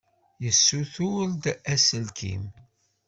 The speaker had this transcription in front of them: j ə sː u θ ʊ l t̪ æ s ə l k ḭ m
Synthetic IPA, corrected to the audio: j ə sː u θ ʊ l d̪ æ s ə l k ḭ m